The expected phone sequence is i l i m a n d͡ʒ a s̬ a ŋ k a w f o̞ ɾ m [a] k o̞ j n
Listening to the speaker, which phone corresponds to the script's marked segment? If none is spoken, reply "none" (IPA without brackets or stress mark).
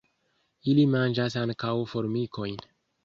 i